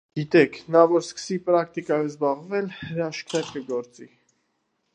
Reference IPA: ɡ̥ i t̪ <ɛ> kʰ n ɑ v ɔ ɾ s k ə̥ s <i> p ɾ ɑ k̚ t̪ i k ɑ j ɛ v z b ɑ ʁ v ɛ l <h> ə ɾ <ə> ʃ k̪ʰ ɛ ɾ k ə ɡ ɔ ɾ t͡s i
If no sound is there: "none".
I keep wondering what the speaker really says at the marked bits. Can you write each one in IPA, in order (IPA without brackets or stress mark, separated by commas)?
ɛ, i, h, ɑ